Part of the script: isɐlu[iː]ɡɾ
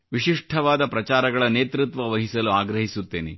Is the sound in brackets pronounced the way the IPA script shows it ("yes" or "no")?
no